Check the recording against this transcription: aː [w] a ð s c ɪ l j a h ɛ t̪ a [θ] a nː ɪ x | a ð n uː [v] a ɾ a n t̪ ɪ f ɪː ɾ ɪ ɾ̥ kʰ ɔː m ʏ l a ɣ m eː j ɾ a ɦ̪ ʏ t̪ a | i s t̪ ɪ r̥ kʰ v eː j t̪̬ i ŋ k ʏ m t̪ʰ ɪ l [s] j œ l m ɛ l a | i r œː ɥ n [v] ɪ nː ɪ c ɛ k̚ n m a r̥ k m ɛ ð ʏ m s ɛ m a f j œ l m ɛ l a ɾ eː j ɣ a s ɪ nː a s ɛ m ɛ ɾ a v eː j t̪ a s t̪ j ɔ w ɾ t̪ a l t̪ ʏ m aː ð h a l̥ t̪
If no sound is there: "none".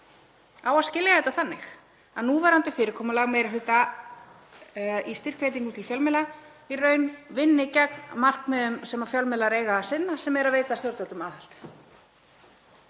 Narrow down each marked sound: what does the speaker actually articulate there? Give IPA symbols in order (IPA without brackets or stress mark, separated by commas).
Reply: w, θ, v, f, v